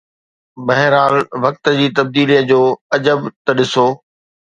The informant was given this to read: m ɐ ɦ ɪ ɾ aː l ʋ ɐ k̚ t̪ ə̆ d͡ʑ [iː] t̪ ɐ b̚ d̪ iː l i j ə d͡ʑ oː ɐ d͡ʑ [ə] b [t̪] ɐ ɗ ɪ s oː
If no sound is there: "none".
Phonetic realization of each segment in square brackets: iː, ə, t̪

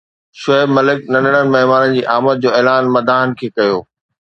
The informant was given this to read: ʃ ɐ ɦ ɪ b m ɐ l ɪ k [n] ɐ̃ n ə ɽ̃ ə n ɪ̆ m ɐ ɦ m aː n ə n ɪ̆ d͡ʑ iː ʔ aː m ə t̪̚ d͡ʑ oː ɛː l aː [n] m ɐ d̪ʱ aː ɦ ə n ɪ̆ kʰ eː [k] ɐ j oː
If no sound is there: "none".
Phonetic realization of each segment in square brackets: n, n, k

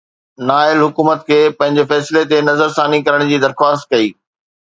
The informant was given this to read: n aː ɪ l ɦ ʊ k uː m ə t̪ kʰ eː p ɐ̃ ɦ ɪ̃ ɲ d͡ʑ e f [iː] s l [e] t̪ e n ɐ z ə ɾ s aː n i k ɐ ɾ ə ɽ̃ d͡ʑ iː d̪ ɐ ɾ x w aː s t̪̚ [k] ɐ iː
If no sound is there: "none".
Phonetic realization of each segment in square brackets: ɛː, e, k

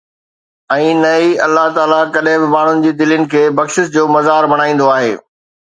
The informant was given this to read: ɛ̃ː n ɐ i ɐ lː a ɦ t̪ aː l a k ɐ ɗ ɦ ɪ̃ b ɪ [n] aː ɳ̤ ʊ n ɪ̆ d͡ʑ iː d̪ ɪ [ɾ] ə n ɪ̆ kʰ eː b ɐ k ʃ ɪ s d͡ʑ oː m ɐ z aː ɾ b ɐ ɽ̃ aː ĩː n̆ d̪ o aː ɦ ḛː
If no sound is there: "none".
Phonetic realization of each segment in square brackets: m, l

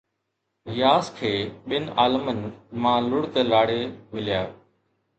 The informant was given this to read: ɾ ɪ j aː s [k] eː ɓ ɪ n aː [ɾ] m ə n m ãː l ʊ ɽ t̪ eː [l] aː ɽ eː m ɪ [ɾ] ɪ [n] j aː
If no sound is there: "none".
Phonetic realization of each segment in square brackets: kʰ, l, l, l, none

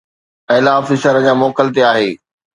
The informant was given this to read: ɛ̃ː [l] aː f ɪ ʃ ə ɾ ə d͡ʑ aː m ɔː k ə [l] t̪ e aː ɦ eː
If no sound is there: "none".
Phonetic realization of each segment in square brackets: l, l

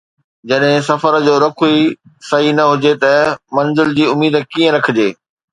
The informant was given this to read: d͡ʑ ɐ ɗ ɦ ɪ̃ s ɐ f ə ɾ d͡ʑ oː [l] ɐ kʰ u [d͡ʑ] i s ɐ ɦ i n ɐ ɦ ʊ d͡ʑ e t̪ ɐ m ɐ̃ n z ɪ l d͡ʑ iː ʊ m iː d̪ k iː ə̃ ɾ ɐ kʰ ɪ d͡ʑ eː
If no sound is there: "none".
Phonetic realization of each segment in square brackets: ɾ, none

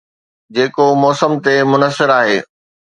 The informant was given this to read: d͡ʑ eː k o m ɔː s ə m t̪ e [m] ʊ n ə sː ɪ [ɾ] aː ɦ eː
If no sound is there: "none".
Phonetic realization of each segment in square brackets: m, ɾ

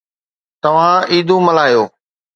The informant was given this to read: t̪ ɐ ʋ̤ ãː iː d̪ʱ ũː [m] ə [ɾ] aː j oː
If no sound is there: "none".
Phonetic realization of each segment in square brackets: m, l

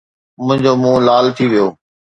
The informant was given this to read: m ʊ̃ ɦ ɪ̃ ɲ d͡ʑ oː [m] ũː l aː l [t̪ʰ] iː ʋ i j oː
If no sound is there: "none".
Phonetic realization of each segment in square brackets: m, t̪ʰ

